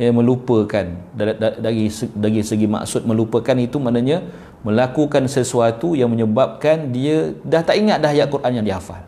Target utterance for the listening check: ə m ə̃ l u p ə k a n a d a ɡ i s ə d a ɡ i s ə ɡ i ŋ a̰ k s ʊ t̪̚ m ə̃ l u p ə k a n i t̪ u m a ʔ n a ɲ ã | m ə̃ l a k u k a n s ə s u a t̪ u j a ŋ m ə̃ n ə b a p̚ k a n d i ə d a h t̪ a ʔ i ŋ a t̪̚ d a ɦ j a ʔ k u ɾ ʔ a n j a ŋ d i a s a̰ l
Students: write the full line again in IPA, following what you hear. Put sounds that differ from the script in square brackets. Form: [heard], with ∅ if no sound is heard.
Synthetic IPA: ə m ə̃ l u p ə k a n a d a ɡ i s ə d a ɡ i s ə ɡ i [m] a̰ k s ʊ t̪̚ m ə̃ l u p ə k a n i t̪ u m a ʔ n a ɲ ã | m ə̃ l a k u k a n s ə s u a t̪ u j a ŋ m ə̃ [ɲ] ə b a p̚ k a n d i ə d a h t̪ a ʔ i ŋ a t̪̚ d a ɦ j a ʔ k u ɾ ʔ a n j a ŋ d i a [f] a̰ l